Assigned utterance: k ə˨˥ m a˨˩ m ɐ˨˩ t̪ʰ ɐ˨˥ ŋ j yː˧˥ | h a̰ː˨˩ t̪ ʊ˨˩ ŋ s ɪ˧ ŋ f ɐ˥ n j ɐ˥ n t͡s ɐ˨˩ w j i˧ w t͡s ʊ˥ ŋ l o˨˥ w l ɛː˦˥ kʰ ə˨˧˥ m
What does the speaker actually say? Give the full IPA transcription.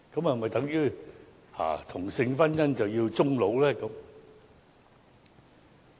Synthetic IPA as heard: k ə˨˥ m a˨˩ m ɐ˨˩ t̪ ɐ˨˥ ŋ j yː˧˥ | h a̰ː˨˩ t̪ʰ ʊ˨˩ ŋ s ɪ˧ ŋ f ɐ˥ n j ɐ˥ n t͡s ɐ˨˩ w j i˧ w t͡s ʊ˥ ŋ l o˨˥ w l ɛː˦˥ k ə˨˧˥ m

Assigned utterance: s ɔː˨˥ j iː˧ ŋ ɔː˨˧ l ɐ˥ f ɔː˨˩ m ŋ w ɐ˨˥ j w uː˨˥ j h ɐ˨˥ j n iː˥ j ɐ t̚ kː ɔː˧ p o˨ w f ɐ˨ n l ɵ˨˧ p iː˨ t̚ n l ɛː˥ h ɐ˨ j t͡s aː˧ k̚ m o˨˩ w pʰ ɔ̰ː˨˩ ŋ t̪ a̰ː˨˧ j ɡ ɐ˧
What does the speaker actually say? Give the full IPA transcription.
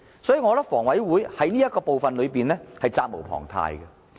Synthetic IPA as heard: s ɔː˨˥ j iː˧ ŋ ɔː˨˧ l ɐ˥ f ɔː˨˩ ŋ w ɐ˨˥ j w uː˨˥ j h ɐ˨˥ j n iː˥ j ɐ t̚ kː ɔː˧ p o˨ w f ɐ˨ n l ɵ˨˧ p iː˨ n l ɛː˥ h ɐ˨ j t͡s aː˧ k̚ m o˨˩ w pʰ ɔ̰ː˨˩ ŋ t̪ʰ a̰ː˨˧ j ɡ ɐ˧

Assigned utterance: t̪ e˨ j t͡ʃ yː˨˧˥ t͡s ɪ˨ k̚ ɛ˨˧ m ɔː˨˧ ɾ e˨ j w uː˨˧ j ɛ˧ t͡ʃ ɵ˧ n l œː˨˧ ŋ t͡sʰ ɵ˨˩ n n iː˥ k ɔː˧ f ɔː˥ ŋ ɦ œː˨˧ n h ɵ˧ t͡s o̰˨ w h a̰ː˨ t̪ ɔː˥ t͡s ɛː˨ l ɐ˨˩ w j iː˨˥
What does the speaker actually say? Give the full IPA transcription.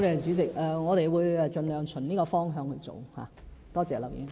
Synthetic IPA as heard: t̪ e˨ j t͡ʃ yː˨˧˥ t͡s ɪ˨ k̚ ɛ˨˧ ŋ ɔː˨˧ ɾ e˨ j w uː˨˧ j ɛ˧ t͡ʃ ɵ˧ n l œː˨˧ ŋ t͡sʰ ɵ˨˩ n n iː˥ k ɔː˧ f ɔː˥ ŋ ɦ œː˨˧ ŋ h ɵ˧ t͡s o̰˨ w h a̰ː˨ t̪ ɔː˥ t͡s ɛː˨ l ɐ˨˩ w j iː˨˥

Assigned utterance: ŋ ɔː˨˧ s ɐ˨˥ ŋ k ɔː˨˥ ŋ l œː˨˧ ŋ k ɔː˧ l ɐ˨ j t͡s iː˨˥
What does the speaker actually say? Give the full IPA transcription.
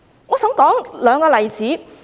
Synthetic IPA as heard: ŋ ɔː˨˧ s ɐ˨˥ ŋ k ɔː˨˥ ŋ l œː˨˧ ŋ k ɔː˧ l ɐ˨ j t͡s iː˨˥

